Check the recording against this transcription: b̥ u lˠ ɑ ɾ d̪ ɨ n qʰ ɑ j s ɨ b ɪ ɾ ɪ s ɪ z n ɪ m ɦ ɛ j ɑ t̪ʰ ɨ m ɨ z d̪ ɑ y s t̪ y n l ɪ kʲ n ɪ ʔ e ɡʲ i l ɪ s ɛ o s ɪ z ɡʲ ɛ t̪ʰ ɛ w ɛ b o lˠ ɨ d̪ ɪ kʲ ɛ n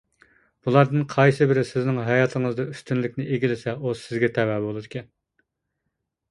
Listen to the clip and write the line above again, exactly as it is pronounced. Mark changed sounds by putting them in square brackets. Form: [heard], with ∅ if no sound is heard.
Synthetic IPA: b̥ u lˠ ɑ ɾ d̪ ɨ n qʰ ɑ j s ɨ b ɪ ɾ ɪ s ɪ z n ɪ [ŋ] ɦ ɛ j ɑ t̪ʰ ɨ [ŋ] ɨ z d̪ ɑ y s t̪ y n l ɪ kʲ n ɪ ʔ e ɡʲ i l ɪ s ɛ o s ɪ z ɡʲ ɛ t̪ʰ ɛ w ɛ b o lˠ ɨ d̪ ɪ kʲ ɛ n